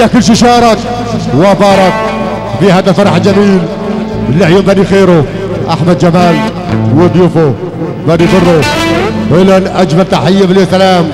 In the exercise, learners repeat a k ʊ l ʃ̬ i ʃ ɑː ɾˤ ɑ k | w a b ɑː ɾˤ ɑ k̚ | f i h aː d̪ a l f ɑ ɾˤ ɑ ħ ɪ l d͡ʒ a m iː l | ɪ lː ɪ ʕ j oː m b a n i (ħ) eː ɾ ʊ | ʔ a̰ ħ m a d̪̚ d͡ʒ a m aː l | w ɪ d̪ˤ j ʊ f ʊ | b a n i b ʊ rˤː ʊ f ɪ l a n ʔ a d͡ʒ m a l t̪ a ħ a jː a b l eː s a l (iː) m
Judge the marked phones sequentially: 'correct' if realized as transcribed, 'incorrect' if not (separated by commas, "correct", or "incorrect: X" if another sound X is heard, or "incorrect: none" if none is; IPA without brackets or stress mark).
incorrect: x, incorrect: aː